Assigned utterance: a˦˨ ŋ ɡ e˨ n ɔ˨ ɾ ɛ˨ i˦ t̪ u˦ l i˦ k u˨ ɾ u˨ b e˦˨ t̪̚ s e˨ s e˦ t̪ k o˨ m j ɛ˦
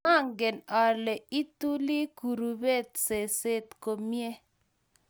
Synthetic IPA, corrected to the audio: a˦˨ ŋ ɡ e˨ n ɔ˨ l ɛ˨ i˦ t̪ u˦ l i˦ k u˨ ɾ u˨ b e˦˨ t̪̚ s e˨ s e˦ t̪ k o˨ m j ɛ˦